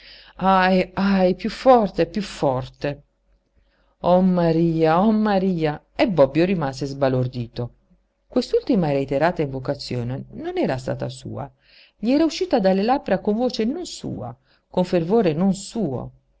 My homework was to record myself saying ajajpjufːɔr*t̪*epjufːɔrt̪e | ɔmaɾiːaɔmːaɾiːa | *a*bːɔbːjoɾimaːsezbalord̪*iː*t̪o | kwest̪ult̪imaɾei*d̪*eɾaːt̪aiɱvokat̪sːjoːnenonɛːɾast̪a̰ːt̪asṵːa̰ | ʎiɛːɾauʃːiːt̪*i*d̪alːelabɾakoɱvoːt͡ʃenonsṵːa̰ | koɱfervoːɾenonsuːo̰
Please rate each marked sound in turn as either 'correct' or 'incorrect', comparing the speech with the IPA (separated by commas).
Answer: correct, incorrect, correct, incorrect, incorrect